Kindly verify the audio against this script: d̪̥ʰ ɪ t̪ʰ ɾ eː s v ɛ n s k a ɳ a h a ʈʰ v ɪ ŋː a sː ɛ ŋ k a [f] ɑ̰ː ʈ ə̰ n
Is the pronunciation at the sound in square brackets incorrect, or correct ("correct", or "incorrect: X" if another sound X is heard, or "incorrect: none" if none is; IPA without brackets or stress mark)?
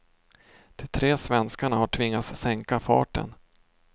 correct